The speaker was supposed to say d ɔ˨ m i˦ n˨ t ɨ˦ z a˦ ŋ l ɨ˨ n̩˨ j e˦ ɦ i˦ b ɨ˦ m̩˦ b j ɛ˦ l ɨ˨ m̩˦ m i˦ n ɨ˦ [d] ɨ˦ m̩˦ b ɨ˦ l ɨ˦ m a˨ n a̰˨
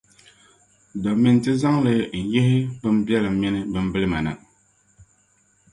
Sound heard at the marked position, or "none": b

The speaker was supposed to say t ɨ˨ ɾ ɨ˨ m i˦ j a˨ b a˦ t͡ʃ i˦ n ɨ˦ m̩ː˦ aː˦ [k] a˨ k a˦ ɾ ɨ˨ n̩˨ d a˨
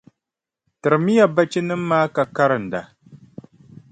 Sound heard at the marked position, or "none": k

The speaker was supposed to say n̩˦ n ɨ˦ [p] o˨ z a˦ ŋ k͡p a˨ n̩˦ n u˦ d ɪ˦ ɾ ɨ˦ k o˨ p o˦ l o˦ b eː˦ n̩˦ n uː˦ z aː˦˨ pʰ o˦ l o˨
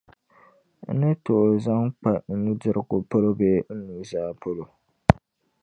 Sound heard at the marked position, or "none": t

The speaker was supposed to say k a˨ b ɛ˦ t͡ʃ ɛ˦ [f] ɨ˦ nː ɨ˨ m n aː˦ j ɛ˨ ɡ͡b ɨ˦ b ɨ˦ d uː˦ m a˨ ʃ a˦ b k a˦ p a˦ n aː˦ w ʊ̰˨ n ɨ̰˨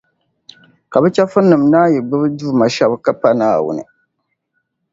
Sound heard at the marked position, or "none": f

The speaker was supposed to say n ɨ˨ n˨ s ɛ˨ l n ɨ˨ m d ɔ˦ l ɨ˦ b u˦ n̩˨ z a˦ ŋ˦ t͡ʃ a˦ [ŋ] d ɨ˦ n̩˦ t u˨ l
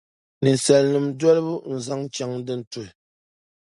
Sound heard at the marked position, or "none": ŋ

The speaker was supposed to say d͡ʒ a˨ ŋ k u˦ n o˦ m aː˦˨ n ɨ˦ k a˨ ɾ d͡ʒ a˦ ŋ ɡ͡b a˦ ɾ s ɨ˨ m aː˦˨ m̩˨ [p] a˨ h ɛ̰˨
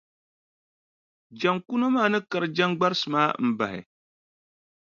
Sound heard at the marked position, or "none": b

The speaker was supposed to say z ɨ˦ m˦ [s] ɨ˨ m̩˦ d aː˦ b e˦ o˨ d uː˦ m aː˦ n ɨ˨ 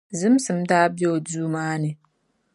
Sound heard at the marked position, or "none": s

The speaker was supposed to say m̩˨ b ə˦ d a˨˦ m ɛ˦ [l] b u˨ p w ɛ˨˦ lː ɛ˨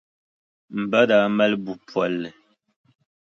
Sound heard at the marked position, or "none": l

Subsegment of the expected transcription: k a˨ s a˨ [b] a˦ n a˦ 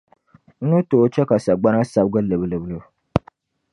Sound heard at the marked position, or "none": ɡ͡b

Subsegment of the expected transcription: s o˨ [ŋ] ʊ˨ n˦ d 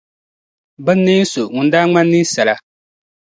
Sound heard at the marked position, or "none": ŋ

